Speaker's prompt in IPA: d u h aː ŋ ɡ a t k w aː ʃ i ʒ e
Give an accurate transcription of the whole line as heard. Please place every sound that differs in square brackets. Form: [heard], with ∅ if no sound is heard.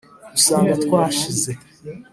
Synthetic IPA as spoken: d u [s] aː ŋ ɡ a t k w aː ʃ i [z] e